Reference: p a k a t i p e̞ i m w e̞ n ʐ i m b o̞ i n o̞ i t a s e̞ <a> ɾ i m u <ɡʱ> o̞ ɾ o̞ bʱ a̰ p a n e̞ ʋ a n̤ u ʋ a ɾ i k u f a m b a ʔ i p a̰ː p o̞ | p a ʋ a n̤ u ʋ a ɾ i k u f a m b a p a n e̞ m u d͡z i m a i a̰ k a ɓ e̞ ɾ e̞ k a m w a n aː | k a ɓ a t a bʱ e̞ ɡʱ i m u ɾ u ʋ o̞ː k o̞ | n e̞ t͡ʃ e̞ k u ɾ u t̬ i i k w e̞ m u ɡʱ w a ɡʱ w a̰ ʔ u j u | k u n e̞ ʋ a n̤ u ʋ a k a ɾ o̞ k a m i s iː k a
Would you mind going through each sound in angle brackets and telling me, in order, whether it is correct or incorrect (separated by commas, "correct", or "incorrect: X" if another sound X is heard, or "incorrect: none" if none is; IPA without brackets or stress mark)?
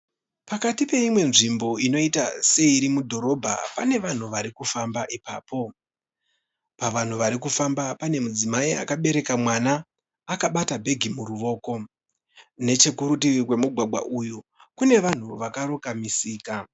incorrect: i, incorrect: dʱ